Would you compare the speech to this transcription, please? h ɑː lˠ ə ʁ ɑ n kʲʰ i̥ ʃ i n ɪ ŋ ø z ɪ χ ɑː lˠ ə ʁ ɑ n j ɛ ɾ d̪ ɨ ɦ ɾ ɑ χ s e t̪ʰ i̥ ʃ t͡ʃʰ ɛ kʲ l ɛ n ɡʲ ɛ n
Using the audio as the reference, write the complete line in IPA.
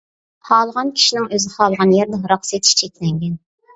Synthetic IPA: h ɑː lˠ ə ʁ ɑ n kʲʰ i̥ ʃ i n ɪ ŋ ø z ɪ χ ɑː lˠ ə ʁ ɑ n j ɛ ɾ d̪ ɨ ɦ ɾ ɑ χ s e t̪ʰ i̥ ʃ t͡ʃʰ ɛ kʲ l ɛ ŋ ɡʲ ɛ n

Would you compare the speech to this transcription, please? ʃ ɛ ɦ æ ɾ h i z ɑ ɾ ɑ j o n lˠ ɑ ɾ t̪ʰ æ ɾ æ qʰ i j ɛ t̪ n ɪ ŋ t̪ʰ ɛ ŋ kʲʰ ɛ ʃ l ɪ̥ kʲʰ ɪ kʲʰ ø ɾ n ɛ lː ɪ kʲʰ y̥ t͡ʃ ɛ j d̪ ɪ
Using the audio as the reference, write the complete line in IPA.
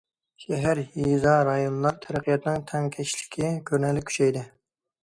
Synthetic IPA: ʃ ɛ ɦ æ ɾ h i z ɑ ɾ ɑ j o n lˠ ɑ ɾ t̪ʰ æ ɾ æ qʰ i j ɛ t̪ n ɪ ŋ t̪ʰ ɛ ŋ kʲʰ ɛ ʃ l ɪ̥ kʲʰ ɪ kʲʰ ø ɾ n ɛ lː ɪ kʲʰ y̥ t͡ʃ ɛ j d̪ ɪ

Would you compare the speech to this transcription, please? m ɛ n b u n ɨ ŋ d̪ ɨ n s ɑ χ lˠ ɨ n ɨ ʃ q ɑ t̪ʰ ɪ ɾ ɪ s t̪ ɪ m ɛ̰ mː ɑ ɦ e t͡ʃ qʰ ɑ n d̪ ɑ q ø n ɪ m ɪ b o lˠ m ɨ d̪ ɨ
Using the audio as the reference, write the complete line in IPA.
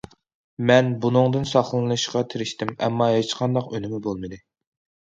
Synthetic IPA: m ɛ n b u n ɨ ŋ d̪ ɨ n s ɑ χ lˠ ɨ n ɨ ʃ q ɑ t̪ʰ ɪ ɾ ɪ ʃ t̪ ɪ m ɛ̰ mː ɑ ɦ e t͡ʃ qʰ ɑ n d̪ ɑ q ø n ɪ m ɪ b o lˠ m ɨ d̪ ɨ

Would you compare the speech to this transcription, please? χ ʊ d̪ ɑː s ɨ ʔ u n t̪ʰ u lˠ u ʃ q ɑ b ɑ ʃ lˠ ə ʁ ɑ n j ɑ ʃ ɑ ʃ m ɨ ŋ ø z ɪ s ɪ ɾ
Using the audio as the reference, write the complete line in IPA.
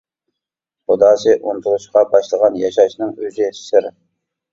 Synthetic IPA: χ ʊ d̪ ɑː s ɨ ʔ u n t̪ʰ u lˠ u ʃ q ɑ b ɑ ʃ lˠ ə ʁ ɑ n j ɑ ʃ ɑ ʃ n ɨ ŋ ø z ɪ s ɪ ɾ

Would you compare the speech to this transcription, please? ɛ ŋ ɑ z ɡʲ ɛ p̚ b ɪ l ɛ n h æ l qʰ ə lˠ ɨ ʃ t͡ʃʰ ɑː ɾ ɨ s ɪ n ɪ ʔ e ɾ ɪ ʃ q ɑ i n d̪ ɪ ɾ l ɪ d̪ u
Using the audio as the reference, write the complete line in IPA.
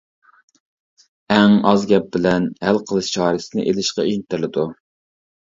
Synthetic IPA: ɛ ŋ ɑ z ɡʲ ɛ p̚ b ɪ l ɛ n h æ l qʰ ə lˠ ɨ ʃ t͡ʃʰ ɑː ɾ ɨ s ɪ n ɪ ʔ e l ɪ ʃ q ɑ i n t̪ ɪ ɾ l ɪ d̪ u

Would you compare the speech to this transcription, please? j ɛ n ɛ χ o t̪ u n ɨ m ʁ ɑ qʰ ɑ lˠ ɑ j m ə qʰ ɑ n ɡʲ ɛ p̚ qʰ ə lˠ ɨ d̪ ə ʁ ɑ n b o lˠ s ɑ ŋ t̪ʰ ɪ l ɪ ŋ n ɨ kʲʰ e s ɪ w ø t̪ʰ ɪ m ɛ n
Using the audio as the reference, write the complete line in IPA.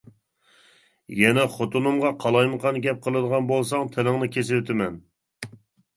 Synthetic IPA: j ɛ n ɛ χ o t̪ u n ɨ m ʁ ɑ qʰ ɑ lˠ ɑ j m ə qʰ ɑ n ɡʲ ɛ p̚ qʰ ə lˠ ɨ d̪ ə ʁ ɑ n b o lˠ s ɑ ŋ t̪ʰ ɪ l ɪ ŋ n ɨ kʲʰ e s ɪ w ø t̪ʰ ɪ m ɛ n

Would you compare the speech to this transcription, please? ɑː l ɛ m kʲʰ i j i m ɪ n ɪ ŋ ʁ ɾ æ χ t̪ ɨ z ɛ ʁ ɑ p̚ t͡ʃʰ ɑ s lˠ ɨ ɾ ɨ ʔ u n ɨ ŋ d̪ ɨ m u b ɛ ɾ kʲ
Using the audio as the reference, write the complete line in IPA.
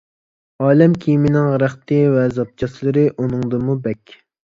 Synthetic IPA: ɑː l ɛ m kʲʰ i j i m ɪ n ɪ ŋ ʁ ɾ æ χ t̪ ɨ v ɛ z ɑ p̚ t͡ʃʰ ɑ s lˠ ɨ ɾ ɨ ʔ u n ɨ ŋ d̪ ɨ m u b ɛ kʲ

